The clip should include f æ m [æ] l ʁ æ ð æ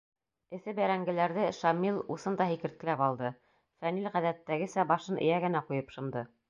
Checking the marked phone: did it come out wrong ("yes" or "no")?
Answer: yes